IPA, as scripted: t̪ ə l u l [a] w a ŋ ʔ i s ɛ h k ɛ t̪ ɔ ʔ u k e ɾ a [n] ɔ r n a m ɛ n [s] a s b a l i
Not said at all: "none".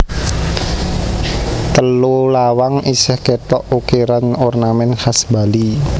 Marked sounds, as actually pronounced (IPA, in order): a, n, h

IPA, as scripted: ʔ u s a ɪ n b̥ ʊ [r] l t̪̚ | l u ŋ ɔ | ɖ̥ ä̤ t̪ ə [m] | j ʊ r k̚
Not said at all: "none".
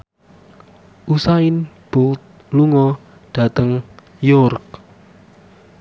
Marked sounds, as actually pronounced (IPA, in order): none, ŋ

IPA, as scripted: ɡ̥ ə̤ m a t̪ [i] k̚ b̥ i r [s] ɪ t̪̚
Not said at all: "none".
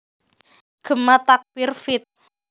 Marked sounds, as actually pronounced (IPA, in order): a, f

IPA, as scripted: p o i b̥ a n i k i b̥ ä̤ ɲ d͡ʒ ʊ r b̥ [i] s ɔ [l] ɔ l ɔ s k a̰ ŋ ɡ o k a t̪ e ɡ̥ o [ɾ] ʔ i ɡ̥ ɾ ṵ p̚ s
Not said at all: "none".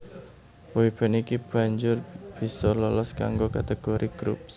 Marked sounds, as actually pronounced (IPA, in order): i, l, ɾ

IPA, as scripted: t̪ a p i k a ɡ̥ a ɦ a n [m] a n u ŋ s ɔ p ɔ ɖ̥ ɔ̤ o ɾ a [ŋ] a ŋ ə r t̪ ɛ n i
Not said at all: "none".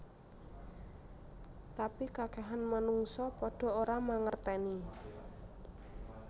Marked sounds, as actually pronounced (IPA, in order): m, m

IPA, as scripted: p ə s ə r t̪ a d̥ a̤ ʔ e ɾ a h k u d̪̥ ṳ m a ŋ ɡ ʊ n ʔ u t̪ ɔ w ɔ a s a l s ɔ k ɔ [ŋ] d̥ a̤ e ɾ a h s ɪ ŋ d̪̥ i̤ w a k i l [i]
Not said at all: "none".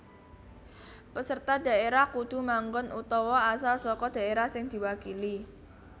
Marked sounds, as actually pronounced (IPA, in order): none, i

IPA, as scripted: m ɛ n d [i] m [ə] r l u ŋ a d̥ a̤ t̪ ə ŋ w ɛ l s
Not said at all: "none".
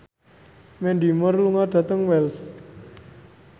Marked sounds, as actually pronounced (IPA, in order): i, ə

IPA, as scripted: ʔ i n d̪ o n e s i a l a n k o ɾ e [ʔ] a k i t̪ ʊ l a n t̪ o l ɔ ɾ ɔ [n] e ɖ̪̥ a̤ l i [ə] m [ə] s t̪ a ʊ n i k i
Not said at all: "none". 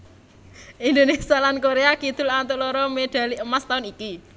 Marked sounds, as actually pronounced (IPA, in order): none, m, ə, a

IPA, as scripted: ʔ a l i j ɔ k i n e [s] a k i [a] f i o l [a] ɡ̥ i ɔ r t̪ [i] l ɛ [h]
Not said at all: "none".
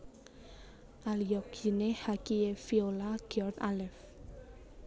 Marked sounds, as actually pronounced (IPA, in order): h, e, a, a, f

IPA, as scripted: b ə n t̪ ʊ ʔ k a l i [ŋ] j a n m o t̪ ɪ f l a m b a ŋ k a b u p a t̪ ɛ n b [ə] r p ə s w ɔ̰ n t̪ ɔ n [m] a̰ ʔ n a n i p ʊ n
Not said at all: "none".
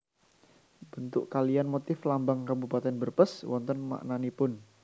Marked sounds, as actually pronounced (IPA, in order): none, ə, m

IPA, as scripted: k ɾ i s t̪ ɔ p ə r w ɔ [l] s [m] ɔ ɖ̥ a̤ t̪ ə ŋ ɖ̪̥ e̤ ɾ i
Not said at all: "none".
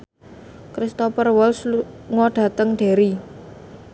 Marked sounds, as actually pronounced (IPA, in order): l, ŋ

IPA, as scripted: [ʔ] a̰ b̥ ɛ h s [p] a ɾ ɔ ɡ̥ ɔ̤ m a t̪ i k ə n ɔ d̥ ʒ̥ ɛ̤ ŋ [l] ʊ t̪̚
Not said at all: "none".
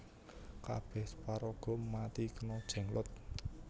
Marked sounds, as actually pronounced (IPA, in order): k, p, l

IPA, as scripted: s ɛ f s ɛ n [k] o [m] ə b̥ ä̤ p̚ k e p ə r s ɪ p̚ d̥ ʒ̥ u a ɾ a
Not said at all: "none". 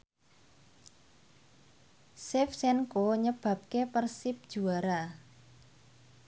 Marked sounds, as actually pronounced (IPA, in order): k, ɲ

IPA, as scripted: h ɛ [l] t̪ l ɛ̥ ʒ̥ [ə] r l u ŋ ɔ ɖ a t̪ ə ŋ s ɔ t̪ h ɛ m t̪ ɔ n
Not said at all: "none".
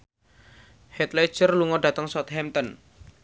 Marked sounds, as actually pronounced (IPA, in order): none, ə

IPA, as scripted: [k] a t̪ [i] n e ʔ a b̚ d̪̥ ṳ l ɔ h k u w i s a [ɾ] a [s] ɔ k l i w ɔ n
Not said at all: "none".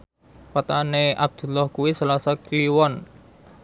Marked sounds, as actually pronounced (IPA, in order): p, a, l, s

